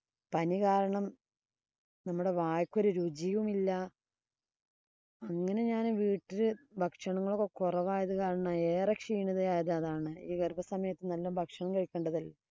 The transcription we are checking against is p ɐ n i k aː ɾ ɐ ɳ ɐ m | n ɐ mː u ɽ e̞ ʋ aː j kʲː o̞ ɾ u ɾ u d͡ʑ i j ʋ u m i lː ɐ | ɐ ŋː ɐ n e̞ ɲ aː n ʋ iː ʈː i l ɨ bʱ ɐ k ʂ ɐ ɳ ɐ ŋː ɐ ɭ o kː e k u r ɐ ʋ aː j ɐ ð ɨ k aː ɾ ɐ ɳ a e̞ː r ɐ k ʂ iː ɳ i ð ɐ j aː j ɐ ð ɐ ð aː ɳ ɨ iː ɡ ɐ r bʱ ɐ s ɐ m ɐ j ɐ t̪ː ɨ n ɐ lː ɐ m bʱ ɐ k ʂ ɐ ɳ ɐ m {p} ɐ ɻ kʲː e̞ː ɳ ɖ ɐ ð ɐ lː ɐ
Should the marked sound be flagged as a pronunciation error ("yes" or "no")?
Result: yes